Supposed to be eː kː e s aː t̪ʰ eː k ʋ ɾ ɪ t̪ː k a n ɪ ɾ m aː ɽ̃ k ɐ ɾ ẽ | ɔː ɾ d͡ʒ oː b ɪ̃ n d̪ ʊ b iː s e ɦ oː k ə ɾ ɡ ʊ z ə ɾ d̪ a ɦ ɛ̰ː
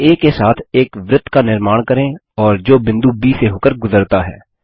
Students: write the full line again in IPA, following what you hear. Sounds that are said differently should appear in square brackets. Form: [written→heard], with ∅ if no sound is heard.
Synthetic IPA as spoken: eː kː e s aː t̪ʰ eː k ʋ ɾ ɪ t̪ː k a n ɪ ɾ m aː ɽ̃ k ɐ ɾ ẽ | ɔː ɾ d͡ʒ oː b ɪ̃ n d̪ [ʊ→u] b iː s e ɦ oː k ə ɾ ɡ ʊ z ə ɾ [d̪→t̪] a ɦ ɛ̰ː